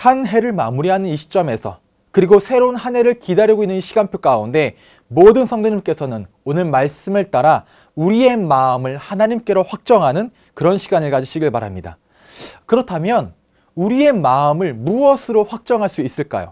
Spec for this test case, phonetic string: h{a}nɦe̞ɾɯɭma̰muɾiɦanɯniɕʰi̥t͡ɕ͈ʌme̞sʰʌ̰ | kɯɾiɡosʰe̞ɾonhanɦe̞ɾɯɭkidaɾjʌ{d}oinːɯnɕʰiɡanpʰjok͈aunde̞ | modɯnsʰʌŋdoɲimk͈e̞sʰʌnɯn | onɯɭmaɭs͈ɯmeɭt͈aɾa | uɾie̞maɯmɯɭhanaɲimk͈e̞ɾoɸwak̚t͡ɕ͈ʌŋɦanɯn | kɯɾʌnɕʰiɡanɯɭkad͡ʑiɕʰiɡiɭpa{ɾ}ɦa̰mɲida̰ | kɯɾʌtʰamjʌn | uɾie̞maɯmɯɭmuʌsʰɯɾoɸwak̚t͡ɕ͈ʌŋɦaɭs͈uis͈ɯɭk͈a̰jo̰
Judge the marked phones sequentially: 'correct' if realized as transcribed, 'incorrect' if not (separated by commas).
correct, incorrect, correct